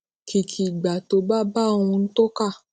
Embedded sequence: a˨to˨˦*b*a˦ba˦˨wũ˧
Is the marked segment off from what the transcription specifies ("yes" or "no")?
no